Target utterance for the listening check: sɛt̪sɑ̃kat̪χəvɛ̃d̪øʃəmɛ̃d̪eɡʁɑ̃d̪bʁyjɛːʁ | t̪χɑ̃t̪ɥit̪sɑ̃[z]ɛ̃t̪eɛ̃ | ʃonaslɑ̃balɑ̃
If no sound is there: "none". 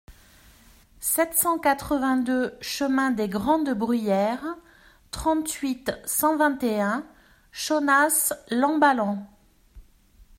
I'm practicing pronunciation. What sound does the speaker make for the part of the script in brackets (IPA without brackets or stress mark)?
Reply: v